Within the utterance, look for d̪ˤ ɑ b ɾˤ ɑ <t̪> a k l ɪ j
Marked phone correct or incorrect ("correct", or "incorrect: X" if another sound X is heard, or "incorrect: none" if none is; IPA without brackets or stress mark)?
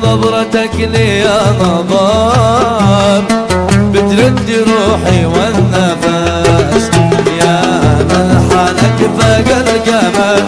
correct